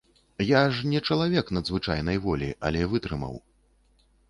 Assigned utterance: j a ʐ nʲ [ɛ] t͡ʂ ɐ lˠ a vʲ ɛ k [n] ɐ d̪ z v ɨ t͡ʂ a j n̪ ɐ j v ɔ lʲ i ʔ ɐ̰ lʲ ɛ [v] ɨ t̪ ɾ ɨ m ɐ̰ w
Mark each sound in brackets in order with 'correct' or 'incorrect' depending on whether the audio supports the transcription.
correct, correct, correct

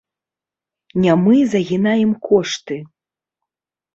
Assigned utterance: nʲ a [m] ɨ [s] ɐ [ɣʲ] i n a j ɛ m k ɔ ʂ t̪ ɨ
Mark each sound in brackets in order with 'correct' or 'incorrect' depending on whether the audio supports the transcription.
correct, incorrect: z, correct

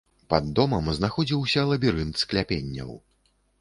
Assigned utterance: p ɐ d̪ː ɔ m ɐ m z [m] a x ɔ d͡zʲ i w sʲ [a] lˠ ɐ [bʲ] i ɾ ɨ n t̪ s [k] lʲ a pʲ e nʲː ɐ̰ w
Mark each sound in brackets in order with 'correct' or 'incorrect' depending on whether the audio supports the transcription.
incorrect: n, incorrect: ɐ, correct, correct

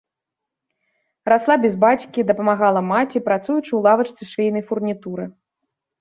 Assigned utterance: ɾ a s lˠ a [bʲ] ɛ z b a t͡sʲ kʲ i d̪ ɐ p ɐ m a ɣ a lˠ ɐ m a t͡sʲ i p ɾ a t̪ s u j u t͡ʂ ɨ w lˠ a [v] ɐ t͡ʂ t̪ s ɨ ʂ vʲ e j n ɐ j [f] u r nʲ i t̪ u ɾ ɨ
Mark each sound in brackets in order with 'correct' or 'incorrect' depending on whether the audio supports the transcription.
correct, correct, correct

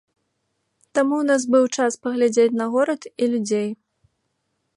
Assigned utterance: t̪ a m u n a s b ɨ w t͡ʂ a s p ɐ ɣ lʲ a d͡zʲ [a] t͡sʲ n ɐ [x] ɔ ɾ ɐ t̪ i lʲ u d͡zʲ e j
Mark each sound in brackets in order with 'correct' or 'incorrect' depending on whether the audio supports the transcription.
incorrect: e, incorrect: ɣ

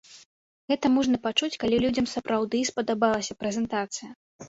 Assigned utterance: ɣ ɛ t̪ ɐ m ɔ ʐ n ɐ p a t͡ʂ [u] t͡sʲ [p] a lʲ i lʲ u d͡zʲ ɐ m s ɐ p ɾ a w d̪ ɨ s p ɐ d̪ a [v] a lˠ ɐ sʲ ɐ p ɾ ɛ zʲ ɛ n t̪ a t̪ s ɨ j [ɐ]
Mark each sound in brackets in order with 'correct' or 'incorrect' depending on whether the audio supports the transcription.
correct, incorrect: k, incorrect: b, correct

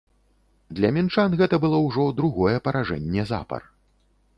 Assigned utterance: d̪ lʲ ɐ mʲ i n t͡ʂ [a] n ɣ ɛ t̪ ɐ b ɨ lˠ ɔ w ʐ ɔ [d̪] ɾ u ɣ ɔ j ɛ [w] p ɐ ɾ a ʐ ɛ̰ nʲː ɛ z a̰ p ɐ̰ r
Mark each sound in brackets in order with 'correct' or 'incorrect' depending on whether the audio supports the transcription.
correct, correct, incorrect: none

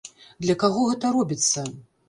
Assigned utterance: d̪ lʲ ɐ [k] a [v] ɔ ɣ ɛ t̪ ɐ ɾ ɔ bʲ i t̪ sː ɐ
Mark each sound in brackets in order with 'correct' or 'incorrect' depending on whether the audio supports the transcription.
correct, incorrect: ɣ

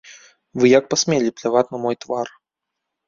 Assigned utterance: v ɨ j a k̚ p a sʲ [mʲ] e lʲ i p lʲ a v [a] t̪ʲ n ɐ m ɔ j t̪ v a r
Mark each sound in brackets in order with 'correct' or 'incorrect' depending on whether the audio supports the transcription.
correct, correct

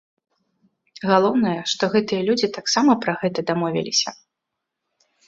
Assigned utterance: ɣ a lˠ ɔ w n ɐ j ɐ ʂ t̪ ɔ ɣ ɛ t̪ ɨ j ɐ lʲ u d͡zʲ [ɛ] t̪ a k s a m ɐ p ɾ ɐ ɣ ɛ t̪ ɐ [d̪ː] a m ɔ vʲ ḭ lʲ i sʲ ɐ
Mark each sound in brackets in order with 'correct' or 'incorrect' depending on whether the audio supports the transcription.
incorrect: i, incorrect: d̪

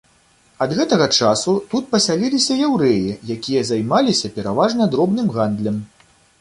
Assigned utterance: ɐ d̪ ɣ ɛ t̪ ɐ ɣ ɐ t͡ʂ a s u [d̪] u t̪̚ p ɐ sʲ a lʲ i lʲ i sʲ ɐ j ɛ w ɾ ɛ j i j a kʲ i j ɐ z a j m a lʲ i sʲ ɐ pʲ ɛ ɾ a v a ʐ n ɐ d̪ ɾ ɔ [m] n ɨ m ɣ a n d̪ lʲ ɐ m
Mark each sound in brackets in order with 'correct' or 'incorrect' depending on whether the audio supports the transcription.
incorrect: t̪, incorrect: b

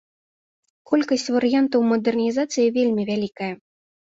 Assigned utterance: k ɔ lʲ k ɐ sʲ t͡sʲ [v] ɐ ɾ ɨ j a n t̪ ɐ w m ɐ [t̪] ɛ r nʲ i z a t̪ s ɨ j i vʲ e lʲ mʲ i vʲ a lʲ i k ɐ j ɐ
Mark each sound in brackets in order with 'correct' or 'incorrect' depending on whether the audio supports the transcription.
correct, incorrect: d̪

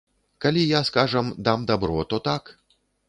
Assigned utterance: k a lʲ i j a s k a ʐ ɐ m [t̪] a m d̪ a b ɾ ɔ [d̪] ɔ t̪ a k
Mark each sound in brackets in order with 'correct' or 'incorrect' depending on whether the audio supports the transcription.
incorrect: d̪, incorrect: t̪

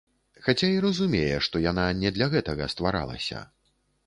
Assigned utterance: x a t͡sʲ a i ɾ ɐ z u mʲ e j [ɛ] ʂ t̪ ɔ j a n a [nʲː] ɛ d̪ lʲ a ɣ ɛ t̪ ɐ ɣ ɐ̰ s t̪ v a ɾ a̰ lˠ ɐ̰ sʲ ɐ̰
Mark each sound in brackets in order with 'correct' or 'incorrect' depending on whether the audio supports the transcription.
correct, incorrect: nʲ

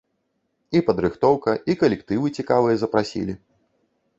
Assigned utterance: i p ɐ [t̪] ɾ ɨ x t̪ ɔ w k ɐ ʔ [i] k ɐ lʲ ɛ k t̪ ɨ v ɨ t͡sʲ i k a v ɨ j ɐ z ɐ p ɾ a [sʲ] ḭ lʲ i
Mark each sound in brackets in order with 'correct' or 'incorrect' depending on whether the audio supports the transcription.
incorrect: d̪, correct, correct

